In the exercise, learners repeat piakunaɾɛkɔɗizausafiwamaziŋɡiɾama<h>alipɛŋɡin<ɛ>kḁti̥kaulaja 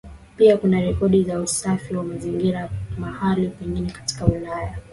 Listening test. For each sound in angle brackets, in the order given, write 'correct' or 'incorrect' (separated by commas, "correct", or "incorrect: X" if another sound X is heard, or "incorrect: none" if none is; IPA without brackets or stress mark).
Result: correct, correct